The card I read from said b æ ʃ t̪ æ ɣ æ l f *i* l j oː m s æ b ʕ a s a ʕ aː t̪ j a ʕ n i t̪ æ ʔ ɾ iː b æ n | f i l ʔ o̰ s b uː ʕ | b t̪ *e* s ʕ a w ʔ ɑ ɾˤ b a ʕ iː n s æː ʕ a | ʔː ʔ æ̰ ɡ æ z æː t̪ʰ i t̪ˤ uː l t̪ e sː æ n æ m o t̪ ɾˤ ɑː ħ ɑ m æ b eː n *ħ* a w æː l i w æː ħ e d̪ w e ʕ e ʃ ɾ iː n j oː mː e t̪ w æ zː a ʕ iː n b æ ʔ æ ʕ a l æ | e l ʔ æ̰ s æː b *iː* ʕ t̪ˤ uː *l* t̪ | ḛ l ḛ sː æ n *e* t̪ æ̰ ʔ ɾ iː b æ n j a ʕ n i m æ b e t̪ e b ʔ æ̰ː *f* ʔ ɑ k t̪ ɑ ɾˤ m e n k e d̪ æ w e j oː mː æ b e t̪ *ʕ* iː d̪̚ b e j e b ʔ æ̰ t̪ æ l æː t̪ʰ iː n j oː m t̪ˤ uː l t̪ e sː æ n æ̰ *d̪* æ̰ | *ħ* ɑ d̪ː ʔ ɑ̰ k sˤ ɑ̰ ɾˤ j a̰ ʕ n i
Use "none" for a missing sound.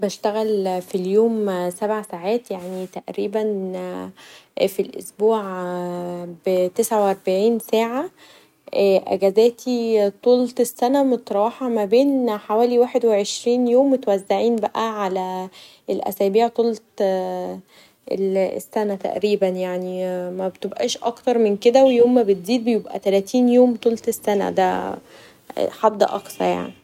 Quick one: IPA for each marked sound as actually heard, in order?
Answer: i, e, ħ, iː, l, æ, ʃ, z, d̪, ħ

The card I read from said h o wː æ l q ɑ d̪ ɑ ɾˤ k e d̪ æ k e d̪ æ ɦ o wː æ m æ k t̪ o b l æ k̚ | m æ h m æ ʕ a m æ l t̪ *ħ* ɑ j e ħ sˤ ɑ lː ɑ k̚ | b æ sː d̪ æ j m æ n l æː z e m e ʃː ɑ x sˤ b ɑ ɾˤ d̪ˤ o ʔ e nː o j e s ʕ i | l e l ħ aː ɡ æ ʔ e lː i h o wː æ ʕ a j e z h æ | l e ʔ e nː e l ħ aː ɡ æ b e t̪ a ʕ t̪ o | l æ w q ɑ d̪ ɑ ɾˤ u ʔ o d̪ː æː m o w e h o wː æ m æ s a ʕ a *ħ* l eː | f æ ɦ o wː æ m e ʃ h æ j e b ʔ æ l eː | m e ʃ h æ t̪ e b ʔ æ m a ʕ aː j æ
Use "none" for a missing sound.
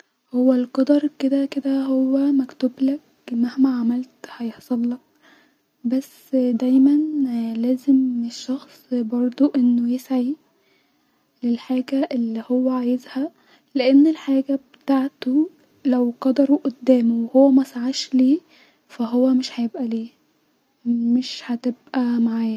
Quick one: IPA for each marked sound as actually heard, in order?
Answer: h, ʃ

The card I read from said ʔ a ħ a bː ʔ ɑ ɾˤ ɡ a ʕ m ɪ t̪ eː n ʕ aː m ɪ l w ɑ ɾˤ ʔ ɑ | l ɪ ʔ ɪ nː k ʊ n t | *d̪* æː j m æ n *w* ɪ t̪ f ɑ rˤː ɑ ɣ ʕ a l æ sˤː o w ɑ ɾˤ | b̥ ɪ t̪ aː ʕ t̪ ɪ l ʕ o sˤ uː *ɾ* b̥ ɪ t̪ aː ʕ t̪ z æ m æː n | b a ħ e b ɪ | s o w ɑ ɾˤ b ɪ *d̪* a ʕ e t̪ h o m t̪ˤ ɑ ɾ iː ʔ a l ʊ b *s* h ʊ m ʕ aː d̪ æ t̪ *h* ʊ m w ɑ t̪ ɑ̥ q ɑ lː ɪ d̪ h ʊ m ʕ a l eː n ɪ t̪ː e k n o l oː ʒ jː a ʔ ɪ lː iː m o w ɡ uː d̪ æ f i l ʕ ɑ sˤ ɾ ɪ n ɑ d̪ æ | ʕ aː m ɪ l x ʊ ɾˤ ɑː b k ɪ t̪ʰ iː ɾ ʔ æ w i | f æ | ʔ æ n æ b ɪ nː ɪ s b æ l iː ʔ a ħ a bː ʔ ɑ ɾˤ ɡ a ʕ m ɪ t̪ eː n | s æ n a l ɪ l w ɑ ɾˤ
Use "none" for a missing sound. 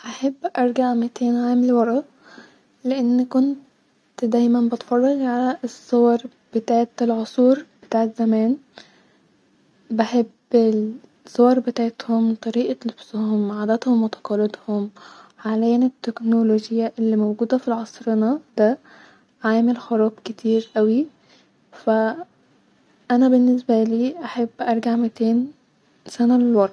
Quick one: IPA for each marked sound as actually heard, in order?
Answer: d̪, b, ɾ, t̪, s, h

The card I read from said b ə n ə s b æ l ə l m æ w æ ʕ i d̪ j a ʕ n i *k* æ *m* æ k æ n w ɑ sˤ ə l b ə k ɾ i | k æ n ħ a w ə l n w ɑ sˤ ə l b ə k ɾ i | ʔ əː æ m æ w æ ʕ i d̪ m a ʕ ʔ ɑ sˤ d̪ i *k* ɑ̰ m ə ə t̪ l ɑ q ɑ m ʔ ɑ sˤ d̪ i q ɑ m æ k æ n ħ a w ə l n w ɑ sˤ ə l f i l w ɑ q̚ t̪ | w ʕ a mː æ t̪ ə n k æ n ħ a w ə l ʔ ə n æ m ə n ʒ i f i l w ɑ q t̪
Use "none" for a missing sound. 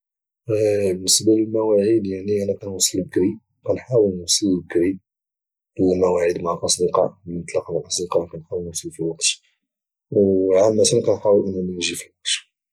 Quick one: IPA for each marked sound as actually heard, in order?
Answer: ʔ, n, q

